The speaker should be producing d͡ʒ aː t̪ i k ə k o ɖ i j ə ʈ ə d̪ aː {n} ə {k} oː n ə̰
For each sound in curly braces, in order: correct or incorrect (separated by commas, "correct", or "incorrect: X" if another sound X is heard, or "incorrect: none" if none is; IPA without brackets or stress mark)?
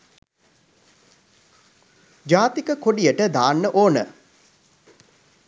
incorrect: nː, incorrect: ʔ